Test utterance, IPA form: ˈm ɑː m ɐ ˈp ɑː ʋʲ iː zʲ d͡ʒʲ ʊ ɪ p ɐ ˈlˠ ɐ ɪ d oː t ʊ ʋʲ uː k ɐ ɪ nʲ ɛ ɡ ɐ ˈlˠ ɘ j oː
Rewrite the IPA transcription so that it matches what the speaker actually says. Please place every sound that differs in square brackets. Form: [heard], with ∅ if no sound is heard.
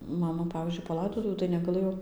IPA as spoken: ˈm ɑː m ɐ ˈp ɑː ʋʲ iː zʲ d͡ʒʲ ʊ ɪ p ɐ ˈlˠ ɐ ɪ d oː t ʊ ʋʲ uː [t] ɐ ɪ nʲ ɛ ɡ ɐ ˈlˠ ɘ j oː